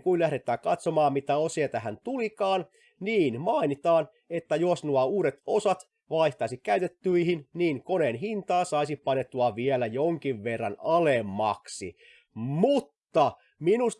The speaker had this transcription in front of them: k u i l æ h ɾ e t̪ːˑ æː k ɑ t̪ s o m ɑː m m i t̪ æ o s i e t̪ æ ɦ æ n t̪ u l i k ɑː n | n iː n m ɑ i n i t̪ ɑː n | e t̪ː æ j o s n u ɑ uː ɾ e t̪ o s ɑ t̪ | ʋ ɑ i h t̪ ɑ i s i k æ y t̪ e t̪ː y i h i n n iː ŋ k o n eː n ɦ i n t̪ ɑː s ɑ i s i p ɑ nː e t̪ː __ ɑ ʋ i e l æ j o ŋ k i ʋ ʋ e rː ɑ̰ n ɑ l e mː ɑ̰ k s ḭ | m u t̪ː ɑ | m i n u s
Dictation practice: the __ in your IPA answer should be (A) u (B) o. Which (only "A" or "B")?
A